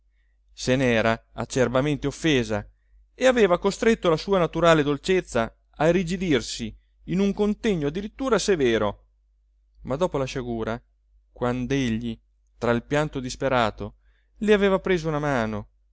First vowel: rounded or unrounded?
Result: unrounded